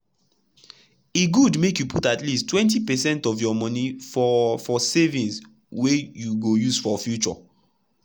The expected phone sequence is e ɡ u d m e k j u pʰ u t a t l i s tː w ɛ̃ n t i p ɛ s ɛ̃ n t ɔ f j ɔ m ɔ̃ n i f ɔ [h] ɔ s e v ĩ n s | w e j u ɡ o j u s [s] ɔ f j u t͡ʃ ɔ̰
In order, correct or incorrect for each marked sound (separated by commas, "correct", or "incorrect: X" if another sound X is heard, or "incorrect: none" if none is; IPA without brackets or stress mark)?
incorrect: f, incorrect: f